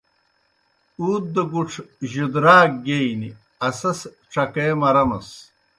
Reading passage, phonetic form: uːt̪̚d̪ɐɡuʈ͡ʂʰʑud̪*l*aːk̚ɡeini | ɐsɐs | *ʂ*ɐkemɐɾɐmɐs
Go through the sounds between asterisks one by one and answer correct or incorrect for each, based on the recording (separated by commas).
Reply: incorrect, incorrect